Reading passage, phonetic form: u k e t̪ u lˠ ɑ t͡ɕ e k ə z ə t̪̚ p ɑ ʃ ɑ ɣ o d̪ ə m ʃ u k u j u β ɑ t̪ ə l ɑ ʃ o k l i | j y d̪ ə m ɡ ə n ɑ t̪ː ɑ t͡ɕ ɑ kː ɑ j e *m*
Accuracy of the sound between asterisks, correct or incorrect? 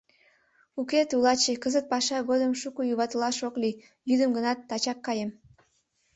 correct